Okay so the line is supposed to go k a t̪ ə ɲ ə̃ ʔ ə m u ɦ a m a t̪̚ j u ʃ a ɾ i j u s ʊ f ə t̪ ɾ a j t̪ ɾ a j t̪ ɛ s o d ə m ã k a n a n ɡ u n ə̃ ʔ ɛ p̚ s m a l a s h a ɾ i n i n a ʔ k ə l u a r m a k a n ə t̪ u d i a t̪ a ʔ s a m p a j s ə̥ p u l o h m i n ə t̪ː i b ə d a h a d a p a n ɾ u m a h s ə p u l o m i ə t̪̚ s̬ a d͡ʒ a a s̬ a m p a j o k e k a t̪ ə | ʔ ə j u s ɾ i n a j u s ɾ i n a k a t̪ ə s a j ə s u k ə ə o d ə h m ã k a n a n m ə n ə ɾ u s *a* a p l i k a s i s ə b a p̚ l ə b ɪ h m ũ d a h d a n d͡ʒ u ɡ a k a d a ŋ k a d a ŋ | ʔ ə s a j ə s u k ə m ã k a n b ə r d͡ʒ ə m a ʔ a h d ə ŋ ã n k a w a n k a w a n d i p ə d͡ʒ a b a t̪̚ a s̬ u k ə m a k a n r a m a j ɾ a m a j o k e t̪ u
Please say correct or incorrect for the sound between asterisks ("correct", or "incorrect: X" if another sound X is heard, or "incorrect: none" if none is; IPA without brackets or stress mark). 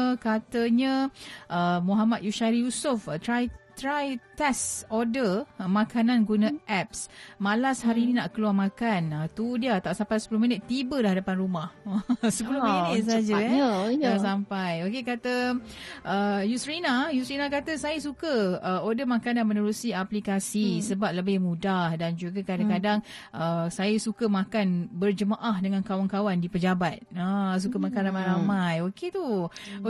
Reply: incorrect: i